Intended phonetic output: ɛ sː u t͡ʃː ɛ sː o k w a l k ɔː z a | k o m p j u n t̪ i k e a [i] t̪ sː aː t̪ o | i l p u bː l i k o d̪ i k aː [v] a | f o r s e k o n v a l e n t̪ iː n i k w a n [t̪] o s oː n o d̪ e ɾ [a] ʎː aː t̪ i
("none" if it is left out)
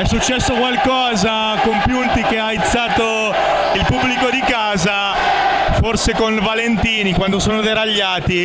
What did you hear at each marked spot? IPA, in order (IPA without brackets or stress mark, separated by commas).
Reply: i, z, d̪, a